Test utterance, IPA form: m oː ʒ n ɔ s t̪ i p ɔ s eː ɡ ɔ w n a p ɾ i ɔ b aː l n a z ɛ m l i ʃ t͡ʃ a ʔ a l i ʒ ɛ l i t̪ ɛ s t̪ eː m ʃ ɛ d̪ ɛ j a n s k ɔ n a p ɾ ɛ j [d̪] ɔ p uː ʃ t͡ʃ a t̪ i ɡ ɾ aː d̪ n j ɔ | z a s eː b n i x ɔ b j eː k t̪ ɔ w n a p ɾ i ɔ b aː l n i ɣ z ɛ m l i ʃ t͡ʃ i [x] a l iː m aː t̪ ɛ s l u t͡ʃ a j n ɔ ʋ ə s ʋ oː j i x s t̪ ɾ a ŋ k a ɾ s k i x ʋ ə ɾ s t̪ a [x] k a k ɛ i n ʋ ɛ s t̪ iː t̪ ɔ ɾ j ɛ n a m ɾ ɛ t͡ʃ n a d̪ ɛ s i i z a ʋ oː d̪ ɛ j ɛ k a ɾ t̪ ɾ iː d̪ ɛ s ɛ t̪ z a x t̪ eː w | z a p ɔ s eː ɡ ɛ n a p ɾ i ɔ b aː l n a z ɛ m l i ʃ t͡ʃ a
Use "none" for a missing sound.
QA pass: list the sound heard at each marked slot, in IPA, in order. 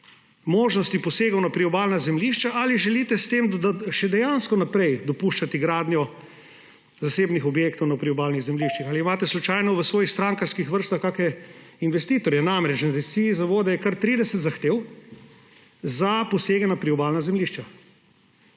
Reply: d̪, x, x

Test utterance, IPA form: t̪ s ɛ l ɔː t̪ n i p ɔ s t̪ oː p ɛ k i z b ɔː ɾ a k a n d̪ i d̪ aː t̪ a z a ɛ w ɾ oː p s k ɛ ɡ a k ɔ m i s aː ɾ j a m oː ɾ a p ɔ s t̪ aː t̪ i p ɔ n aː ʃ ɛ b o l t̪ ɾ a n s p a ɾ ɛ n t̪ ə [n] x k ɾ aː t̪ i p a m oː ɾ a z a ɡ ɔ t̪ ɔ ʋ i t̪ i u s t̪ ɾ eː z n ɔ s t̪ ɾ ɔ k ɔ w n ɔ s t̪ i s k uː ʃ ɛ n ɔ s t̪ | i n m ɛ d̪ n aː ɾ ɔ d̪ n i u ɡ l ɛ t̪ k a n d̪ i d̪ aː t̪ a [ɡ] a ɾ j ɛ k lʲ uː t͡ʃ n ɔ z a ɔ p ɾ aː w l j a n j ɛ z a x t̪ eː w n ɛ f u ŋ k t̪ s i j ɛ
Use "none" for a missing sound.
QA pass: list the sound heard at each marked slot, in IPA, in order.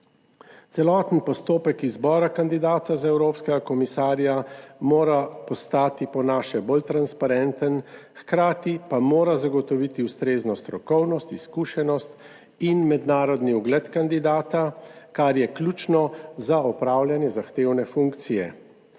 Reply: n, k

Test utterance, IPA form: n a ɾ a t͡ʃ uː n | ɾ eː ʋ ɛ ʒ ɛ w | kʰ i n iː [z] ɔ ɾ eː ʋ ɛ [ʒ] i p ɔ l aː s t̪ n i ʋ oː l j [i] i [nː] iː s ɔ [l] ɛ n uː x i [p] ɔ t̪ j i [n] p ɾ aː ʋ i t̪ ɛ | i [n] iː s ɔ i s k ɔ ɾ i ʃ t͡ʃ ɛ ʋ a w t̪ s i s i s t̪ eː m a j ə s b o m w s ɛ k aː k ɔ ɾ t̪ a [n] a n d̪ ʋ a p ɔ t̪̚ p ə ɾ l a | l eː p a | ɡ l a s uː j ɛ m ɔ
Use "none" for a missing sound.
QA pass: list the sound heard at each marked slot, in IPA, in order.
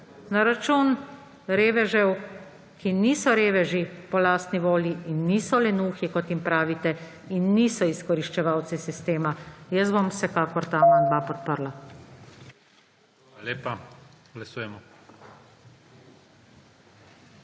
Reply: s, ʒ, i, nː, l, k, m, nː, m

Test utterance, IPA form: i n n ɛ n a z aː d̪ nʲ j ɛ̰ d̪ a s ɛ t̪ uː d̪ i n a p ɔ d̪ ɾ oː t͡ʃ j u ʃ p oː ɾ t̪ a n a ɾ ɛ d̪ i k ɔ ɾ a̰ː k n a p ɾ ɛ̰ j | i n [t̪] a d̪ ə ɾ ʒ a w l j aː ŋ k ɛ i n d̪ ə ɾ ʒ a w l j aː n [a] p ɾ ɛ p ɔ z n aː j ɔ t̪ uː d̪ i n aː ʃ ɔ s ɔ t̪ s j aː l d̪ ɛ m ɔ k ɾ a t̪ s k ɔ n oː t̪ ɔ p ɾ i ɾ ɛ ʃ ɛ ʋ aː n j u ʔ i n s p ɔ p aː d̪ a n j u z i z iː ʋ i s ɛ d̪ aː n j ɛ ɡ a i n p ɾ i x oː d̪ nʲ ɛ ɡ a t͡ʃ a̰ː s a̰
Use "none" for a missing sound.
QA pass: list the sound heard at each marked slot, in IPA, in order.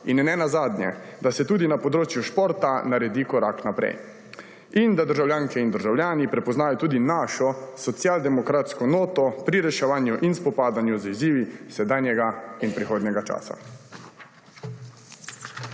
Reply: d̪, i

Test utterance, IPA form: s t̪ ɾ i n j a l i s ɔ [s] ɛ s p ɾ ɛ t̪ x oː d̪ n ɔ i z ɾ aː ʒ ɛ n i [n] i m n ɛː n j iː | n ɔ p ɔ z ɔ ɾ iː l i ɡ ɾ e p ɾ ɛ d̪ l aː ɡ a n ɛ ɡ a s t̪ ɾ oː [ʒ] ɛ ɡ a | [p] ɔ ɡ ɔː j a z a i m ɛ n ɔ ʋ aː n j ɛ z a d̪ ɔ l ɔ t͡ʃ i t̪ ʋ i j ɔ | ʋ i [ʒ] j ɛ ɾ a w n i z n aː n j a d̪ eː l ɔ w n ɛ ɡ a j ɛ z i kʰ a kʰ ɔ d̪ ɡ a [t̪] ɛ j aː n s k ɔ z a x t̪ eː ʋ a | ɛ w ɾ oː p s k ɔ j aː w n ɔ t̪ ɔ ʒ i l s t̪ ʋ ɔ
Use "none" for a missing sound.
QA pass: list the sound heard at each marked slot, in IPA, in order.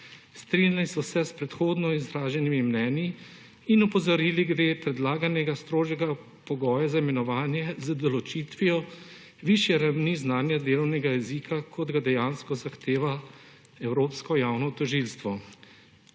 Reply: s, m, ʒ, p, ʃ, d̪

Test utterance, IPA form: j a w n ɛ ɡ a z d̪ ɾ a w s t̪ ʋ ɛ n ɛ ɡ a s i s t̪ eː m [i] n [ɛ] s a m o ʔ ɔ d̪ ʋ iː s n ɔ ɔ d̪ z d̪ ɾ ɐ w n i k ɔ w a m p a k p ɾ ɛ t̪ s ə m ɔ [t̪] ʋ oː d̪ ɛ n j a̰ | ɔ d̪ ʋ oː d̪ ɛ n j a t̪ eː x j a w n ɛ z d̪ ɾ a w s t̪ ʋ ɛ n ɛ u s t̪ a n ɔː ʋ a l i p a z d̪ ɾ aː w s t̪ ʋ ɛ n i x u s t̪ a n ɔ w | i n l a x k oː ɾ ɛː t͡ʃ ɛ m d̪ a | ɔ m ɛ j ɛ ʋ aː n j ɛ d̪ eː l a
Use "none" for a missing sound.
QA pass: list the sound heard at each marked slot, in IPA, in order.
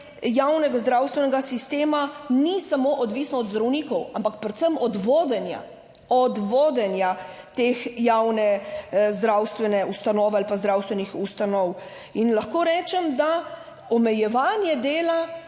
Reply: a, i, d̪

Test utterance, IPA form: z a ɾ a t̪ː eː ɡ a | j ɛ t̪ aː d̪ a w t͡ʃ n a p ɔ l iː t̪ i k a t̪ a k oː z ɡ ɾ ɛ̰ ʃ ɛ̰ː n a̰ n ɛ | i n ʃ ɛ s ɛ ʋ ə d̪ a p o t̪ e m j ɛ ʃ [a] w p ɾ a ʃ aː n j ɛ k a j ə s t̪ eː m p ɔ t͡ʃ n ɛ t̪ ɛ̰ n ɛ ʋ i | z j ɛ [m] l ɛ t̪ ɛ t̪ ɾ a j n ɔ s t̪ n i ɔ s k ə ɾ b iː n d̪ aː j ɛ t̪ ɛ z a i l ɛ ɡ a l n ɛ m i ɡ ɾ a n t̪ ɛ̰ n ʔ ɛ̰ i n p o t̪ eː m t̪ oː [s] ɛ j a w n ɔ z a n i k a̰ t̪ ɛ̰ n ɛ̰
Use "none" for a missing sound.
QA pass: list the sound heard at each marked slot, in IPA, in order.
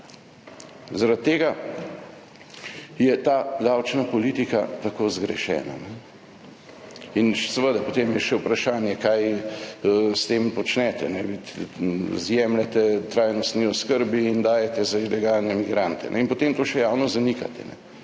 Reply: ɛ, m, ʃ

